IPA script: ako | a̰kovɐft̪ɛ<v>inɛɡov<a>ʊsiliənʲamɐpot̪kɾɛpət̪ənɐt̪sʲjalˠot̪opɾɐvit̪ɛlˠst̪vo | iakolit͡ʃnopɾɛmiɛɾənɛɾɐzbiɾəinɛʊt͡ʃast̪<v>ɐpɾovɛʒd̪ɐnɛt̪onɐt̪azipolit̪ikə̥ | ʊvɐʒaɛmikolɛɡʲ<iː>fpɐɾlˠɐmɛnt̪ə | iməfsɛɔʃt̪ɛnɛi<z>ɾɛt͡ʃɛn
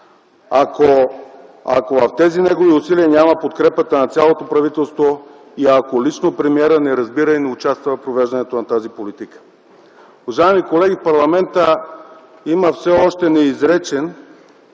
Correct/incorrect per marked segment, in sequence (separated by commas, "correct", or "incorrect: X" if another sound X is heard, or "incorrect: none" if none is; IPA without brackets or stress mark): incorrect: z, incorrect: i, correct, incorrect: i, correct